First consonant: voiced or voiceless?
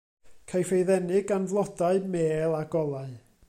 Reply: voiceless